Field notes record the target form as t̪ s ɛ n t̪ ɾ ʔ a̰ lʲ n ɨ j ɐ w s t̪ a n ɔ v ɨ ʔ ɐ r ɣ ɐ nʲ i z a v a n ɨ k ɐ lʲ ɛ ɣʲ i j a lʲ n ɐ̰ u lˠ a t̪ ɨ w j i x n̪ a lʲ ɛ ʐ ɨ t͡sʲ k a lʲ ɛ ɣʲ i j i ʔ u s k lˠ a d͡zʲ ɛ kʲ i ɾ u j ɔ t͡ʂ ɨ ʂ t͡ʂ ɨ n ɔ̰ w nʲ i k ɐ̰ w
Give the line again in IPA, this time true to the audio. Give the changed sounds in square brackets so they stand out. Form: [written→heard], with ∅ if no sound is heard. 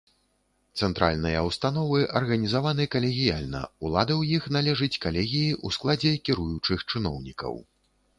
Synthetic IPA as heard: t̪ s ɛ n t̪ ɾ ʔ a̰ lʲ n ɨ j ɐ w s t̪ a n ɔ v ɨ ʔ ɐ r ɣ ɐ nʲ i z a v a n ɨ k ɐ lʲ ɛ ɣʲ i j a lʲ n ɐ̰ u lˠ a [t̪→d̪] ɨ w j i x n̪ a lʲ ɛ ʐ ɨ t͡sʲ k a lʲ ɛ ɣʲ i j i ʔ u s k lˠ a d͡zʲ ɛ kʲ i ɾ u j [ɔ→u] t͡ʂ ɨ [ʂ→x] t͡ʂ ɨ n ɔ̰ w nʲ i k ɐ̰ w